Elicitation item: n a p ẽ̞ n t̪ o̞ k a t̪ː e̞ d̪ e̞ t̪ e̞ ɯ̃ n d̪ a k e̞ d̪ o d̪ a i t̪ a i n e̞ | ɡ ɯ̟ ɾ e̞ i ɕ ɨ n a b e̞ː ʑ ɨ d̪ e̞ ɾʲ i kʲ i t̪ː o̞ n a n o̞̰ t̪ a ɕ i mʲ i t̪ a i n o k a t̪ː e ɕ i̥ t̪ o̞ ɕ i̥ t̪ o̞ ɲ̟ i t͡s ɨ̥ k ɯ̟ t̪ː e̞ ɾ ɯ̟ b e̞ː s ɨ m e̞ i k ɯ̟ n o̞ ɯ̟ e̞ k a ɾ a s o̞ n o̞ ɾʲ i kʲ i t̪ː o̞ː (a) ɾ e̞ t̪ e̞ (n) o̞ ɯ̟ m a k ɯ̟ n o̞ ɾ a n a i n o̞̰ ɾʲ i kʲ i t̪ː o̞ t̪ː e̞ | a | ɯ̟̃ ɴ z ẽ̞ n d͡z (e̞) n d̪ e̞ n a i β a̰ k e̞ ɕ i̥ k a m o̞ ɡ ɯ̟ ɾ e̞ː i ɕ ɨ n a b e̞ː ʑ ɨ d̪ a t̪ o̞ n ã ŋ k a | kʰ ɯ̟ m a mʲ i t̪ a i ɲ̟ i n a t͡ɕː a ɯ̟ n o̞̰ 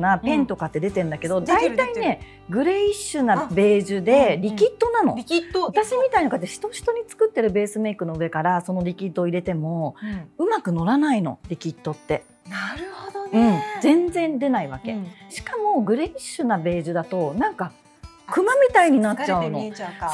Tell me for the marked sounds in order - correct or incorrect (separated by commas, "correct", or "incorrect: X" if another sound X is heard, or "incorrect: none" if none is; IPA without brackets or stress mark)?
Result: incorrect: i, incorrect: m, incorrect: ẽ̞